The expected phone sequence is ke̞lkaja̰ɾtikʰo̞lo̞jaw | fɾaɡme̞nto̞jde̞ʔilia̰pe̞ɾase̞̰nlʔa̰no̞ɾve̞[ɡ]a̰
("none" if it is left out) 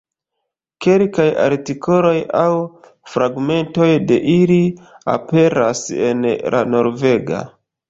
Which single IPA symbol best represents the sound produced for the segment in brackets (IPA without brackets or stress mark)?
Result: ɡ